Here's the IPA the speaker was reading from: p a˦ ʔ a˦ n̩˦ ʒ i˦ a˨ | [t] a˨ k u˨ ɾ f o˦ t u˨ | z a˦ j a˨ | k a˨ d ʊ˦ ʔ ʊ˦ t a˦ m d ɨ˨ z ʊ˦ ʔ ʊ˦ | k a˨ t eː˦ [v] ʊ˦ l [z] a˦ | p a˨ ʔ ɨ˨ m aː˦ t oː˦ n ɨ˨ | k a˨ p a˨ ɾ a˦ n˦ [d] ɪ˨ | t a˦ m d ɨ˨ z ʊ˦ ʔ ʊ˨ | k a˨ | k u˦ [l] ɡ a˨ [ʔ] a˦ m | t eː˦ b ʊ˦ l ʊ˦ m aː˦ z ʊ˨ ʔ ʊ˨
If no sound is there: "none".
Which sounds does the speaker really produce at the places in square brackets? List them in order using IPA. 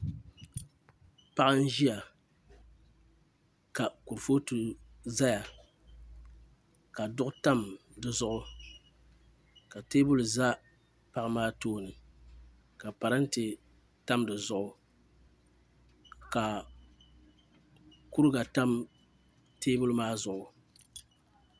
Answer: k, b, z, t, ɾ, t

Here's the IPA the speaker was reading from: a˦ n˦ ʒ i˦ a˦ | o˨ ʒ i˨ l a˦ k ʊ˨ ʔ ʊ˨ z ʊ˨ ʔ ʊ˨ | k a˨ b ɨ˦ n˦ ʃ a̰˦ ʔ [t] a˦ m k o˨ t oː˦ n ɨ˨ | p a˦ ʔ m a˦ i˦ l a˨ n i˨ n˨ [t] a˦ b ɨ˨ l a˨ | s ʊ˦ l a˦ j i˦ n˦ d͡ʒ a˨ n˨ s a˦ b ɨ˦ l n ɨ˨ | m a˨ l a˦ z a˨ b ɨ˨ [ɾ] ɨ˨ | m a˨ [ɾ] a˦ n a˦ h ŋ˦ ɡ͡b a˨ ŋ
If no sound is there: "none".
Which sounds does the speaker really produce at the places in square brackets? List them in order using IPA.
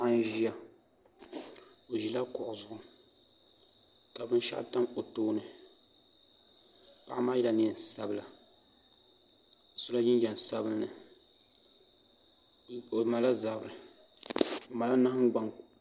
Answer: t, s, ɾ, l

